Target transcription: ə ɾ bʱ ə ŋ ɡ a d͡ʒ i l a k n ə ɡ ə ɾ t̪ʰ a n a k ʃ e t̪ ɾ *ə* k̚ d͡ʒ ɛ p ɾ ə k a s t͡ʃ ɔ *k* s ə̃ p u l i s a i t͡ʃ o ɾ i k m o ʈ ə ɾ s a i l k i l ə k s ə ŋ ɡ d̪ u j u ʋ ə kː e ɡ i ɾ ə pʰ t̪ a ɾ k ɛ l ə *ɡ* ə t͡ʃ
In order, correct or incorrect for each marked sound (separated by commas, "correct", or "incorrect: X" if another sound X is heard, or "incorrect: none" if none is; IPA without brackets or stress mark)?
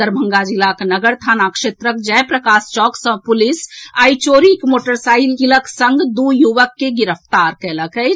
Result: correct, correct, incorrect: k